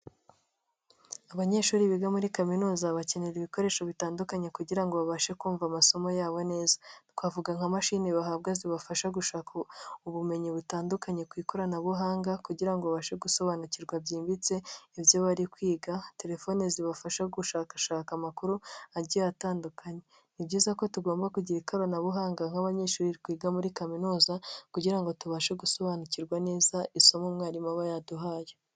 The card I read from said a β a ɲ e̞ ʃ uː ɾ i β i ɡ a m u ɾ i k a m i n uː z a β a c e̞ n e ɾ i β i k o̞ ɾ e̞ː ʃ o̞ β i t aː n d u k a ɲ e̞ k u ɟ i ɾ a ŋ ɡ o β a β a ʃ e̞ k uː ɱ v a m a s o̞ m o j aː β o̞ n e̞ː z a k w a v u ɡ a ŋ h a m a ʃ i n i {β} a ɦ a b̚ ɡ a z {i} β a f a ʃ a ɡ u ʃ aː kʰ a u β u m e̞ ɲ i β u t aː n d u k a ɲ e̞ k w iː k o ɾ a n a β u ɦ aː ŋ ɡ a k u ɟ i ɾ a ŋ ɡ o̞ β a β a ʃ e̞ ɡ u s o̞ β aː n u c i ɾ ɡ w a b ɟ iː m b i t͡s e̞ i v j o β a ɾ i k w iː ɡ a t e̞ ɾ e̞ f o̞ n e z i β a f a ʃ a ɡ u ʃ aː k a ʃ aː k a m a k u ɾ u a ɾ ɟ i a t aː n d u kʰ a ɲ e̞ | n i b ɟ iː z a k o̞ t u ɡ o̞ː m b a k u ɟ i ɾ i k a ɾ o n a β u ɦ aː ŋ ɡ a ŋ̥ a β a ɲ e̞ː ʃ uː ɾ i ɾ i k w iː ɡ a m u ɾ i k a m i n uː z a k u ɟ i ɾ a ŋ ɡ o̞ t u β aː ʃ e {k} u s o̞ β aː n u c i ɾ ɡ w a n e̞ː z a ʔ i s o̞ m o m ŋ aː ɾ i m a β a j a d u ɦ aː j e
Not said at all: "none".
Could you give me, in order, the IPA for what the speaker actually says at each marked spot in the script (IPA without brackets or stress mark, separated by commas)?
β, i, ɡ